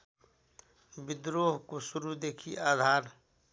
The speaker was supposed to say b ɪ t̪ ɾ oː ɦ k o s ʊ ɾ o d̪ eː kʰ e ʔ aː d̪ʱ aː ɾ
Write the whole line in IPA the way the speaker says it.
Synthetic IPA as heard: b ɪ d̪ ɾ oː ɦ k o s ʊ ɾ u d̪ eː kʰ i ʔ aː d̪ʱ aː ɾ